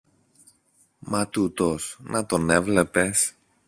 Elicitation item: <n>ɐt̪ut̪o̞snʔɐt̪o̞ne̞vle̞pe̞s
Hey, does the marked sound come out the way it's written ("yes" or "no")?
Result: no